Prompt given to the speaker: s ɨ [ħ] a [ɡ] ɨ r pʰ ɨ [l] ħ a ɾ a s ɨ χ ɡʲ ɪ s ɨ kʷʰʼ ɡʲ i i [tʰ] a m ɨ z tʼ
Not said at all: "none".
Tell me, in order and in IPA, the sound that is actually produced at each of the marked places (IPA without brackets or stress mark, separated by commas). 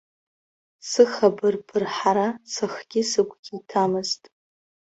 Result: χ, b, r, tʰ